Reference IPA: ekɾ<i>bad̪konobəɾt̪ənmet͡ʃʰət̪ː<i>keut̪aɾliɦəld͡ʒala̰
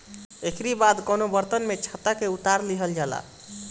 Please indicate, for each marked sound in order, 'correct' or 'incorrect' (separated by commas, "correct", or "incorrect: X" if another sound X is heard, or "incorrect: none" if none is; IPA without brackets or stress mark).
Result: correct, incorrect: a